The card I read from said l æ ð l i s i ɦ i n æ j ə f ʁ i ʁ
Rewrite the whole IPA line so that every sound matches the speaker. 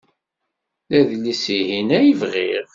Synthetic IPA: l æ ð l i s i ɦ i n æ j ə v ʁ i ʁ